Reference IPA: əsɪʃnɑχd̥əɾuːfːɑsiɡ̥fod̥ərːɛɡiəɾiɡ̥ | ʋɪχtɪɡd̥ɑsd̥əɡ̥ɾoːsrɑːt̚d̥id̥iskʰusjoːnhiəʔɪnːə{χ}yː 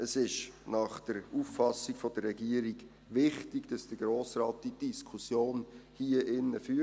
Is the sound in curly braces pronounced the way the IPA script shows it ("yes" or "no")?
no